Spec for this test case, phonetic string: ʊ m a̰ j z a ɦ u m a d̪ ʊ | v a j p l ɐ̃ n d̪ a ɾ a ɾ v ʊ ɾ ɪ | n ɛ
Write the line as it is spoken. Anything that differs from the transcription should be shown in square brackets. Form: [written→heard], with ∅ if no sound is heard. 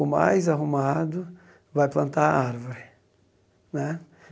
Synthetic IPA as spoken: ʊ m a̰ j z a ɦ u m a d̪ ʊ | v a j p l ɐ̃ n [d̪→t̪] a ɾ a ɾ v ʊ ɾ ɪ | n ɛ